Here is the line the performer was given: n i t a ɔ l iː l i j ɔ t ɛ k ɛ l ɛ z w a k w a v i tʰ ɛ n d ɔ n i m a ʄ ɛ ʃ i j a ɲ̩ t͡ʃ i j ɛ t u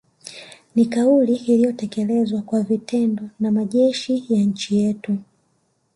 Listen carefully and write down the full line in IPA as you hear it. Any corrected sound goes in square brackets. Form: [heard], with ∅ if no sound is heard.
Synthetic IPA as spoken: n i [k] a [u] l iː l i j ɔ t ɛ k ɛ l ɛ z w a k w a v i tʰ ɛ n d ɔ n [a] m a ʄ ɛ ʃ i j a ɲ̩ t͡ʃ i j ɛ t u